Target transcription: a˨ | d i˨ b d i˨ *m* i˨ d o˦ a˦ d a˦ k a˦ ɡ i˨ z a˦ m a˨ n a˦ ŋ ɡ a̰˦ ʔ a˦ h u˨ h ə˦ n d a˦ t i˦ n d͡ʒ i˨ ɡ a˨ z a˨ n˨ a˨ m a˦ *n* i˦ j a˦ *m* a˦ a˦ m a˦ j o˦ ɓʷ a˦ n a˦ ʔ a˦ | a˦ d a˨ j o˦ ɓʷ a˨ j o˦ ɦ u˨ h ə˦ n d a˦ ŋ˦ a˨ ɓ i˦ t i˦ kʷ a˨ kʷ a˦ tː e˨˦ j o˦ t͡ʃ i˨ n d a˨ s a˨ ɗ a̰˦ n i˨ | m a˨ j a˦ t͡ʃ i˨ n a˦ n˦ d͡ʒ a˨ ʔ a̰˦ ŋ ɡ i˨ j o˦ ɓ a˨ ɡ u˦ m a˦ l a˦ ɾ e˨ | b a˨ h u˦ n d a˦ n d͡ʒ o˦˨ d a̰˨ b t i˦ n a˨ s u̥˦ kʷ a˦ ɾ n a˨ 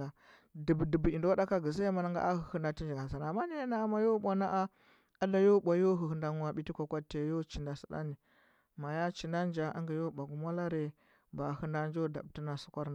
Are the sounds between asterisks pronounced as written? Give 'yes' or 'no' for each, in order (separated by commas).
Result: no, yes, no